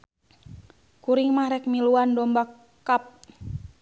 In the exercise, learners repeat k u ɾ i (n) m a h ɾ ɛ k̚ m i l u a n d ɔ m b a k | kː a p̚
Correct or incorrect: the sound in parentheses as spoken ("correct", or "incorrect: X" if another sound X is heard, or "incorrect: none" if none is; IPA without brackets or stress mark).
incorrect: ŋ